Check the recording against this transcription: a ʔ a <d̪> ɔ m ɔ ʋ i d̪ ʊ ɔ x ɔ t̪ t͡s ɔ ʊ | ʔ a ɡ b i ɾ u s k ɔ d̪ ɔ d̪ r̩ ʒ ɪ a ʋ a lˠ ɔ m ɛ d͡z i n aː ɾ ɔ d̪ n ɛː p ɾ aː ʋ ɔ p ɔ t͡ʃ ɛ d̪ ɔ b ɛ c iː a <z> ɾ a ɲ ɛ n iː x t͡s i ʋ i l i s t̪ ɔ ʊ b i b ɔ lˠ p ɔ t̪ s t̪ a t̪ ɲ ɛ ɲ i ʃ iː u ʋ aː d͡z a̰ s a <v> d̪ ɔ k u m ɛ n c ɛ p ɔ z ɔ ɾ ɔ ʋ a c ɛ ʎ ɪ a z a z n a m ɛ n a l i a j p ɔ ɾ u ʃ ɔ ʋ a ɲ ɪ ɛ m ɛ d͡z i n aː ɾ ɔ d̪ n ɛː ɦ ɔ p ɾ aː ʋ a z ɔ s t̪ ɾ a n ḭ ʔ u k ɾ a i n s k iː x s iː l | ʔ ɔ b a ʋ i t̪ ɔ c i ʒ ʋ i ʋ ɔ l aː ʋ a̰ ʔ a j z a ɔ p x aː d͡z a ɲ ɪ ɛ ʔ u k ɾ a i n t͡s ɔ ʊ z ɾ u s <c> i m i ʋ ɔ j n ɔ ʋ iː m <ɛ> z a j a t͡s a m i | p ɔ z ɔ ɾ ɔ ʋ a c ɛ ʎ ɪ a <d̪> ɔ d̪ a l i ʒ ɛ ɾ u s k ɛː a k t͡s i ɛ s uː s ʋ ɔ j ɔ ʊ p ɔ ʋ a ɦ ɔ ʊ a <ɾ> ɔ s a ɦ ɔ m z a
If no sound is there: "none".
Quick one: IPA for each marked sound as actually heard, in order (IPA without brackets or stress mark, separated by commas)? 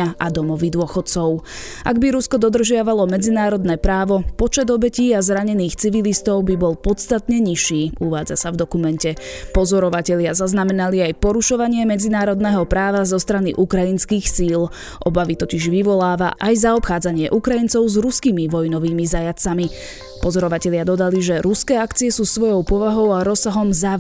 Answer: d̪, z, v, k, i, d̪, ɾ